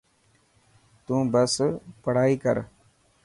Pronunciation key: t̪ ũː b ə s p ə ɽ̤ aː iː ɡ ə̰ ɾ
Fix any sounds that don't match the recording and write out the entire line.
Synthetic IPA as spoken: t̪ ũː b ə s p ə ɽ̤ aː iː k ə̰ ɾ